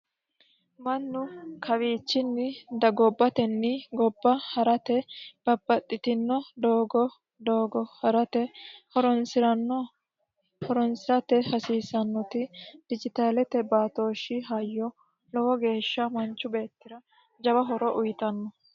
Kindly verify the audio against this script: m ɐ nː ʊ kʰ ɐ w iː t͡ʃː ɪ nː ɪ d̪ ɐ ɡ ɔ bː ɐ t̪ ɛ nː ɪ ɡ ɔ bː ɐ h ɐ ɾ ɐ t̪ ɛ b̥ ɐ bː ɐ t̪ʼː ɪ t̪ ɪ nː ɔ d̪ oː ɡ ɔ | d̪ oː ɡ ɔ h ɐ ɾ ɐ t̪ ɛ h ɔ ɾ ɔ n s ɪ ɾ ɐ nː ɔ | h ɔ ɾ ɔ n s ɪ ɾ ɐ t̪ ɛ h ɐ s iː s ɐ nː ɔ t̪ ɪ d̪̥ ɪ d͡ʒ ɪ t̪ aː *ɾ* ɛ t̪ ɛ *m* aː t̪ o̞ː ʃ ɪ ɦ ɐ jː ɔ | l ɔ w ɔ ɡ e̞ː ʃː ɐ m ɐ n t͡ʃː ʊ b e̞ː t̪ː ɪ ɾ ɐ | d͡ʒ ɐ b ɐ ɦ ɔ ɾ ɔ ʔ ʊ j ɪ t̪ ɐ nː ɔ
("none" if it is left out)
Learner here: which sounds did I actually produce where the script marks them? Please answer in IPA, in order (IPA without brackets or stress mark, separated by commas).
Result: l, b